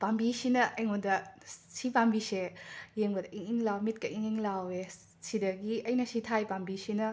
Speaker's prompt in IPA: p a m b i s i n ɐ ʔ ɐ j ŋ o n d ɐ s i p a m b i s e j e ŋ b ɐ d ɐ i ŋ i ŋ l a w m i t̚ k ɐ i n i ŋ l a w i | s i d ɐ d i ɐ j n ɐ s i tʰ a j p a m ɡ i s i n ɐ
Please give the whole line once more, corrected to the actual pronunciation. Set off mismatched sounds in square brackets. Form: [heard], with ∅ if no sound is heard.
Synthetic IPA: p a m b i s i n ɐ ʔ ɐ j ŋ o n d ɐ s i p a m b i s e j e ŋ b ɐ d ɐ i ŋ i ŋ l a w m i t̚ k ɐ i [ŋ] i ŋ l a w [e] | s i d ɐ [ɡ] i ɐ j n ɐ s i tʰ a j p a m [b] i s i n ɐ

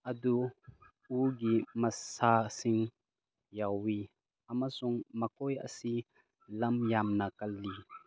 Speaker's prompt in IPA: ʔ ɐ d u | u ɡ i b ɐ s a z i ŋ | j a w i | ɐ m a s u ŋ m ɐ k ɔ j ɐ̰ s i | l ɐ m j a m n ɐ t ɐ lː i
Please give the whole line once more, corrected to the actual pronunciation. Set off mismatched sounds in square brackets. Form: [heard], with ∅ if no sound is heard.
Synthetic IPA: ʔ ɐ d u | u ɡ i [m] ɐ s a [s] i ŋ | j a w i | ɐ m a s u ŋ m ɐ k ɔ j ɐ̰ s i | l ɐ m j a m n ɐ [k] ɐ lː i

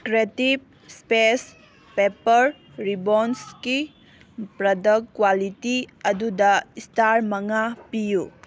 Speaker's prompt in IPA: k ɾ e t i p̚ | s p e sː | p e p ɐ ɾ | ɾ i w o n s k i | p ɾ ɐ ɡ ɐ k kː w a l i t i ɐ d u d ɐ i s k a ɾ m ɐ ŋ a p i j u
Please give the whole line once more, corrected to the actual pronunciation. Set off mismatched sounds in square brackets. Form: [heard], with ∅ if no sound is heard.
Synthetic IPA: k ɾ e t i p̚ | s p e [s] | p e p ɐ ɾ | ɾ i [b] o n s k i | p ɾ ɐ [d] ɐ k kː w a l i t i ɐ d u d ɐ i s [t] a ɾ m ɐ ŋ a p i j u

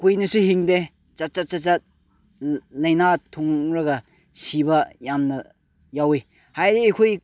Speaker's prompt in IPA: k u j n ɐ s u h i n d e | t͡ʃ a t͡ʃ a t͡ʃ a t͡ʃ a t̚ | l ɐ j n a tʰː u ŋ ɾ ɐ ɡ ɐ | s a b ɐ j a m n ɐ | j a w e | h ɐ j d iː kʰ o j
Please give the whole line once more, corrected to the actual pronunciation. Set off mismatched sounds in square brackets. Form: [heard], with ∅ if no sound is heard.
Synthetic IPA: k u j n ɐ s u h i [ŋ] d e | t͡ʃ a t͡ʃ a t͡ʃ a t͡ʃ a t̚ | l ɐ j n a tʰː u ŋ ɾ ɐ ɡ ɐ | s [i] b ɐ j a m n ɐ | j a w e | h [a] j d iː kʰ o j

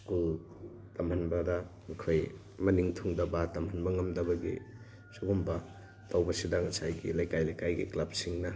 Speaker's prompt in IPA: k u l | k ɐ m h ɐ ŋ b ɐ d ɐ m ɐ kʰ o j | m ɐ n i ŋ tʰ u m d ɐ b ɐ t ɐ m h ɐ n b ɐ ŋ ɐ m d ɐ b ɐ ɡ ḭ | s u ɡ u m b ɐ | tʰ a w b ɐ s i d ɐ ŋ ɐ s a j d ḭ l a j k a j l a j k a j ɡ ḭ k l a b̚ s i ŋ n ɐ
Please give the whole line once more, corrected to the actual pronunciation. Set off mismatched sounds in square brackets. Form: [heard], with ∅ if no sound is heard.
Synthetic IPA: k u l | [t] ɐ m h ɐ [n] b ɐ d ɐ m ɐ kʰ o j | m ɐ n i ŋ tʰ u [ŋ] d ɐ b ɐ t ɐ m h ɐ n b ɐ ŋ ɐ m d ɐ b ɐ ɡ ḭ | s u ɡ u m b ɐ | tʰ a w b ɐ s i d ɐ ŋ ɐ s a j [ɡ] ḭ l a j k a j l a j k a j ɡ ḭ k l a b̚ s i ŋ n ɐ

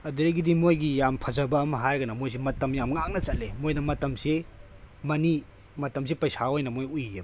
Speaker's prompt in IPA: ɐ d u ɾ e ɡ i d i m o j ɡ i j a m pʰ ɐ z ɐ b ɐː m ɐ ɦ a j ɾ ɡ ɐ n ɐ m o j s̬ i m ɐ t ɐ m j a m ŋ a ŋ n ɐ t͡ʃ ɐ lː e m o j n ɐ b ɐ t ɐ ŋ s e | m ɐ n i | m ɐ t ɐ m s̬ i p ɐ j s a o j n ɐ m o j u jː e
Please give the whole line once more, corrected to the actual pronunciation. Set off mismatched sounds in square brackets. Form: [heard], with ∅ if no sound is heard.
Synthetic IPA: ɐ d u ɾ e ɡ i d i m o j ɡ i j a m pʰ ɐ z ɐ b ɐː m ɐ ɦ a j ɾ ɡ ɐ n ɐ m o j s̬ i m ɐ t ɐ m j a m ŋ a ŋ n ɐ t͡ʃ ɐ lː e m o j n ɐ [m] ɐ t ɐ [m] s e | m ɐ n i | m ɐ t ɐ m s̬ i p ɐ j s a o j n ɐ m o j u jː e

